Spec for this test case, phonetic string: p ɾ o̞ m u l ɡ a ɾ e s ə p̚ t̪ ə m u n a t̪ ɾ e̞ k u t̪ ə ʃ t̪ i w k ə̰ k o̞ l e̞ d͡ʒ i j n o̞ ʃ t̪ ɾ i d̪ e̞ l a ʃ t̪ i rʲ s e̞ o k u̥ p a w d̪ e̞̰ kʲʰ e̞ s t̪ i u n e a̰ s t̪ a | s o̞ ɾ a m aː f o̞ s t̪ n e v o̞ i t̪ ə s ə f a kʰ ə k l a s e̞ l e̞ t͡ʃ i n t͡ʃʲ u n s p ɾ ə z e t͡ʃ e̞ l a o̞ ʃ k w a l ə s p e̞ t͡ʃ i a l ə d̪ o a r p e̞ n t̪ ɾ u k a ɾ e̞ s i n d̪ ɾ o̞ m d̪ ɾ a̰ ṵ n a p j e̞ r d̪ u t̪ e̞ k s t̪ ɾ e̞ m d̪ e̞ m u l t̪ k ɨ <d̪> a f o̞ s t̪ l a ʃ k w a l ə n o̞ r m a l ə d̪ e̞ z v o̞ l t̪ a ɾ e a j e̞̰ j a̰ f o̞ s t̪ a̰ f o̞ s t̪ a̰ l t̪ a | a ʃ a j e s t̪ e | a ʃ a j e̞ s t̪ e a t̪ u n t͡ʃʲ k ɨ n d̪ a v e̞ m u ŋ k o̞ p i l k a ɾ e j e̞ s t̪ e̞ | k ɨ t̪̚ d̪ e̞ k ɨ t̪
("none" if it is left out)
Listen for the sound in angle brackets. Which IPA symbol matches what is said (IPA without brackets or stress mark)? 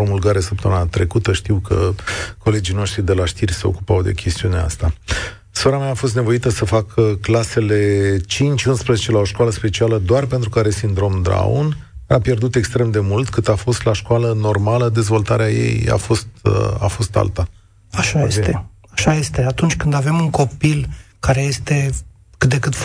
t̪